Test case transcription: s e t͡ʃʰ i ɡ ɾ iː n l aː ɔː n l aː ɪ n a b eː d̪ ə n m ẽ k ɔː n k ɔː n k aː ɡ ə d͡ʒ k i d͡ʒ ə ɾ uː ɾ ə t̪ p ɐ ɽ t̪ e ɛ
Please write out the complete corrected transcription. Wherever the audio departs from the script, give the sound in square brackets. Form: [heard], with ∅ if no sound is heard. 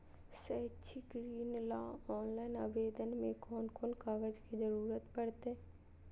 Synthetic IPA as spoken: s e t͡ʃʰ i ɡ ɾ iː n l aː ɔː n l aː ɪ n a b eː d̪ ə n m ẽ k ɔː n k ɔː n k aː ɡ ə d͡ʒ k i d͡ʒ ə ɾ uː ɾ ə t̪ p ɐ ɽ t̪ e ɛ